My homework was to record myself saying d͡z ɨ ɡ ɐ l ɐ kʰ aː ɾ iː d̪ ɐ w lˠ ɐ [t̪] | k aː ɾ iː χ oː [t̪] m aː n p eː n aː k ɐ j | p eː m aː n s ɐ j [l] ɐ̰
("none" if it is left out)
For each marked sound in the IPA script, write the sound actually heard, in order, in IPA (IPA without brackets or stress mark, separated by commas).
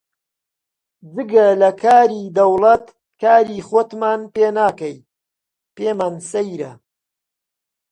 t̪, t̪, ɾ